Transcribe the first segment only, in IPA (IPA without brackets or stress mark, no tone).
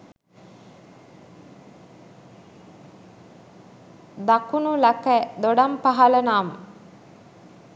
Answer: d̪